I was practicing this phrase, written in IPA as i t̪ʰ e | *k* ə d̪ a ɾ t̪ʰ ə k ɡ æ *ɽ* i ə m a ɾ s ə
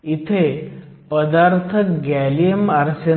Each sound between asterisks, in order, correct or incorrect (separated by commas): incorrect, incorrect